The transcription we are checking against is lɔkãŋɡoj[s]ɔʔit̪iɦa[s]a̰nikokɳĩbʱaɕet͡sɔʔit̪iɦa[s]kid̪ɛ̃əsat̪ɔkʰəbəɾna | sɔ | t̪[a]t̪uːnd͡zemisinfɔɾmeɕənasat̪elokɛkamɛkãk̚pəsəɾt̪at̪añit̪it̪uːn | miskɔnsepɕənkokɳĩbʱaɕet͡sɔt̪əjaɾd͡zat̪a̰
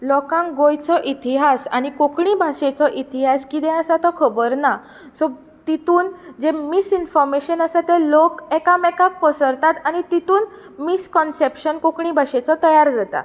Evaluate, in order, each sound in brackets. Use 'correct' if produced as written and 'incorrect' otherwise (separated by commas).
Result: incorrect, correct, correct, incorrect